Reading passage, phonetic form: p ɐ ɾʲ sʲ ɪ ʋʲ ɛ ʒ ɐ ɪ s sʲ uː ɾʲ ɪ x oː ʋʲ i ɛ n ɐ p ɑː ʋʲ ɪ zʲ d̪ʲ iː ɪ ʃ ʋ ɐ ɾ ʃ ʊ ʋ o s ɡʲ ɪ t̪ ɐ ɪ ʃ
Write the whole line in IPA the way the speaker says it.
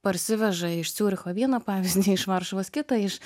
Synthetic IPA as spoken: p ɐ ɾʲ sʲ ɪ ʋʲ ɛ ʒ ɐ ɪ ʃ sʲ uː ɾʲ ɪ x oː ʋʲ i ɛ n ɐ p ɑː ʋʲ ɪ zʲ d̪ʲ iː ɪ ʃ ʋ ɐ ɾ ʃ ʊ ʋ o s kʲ ɪ t̪ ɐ ɪ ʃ